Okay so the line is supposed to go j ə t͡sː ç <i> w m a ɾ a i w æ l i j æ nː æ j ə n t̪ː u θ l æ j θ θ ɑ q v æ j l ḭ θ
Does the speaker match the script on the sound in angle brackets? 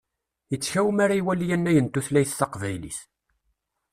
no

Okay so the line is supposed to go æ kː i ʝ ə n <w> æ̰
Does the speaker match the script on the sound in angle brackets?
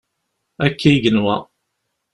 yes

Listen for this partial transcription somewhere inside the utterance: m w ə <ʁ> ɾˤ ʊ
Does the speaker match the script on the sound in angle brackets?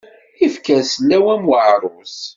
no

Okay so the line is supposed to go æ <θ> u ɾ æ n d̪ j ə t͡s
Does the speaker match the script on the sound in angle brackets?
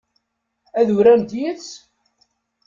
no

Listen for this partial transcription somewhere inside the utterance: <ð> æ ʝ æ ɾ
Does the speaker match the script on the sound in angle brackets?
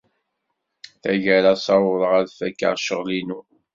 no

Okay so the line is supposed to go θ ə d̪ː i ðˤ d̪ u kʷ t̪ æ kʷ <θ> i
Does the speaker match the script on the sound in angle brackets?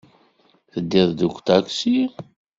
no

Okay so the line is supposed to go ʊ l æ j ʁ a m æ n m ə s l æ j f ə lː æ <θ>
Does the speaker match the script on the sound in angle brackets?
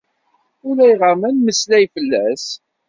no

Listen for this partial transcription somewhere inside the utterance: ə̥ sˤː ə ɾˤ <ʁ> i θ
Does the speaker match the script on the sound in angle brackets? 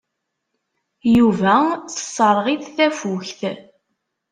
yes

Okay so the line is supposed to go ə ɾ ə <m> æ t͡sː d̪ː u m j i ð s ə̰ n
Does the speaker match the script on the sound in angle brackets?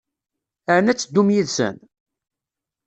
no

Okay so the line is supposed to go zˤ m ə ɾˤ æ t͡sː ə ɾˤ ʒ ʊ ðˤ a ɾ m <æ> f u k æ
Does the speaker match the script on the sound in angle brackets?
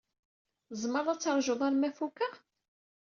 yes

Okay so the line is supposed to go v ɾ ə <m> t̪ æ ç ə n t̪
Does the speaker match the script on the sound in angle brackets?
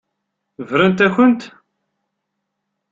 no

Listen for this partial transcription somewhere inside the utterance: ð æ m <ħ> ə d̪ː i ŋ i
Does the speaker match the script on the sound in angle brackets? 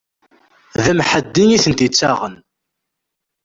yes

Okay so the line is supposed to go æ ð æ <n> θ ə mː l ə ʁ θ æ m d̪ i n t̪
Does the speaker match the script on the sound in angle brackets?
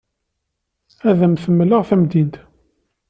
no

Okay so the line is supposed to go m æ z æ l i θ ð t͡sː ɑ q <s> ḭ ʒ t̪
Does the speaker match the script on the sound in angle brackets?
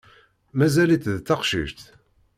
no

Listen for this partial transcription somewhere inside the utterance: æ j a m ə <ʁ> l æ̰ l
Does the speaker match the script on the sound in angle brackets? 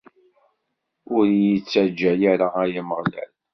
yes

